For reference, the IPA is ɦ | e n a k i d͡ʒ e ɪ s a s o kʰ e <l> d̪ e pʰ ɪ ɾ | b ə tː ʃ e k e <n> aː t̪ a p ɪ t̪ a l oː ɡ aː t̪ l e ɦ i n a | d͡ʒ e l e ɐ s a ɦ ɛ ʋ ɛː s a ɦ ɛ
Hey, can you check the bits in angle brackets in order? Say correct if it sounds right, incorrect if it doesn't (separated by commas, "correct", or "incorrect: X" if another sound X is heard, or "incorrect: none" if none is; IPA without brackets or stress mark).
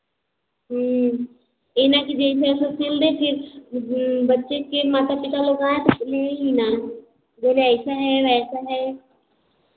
correct, incorrect: m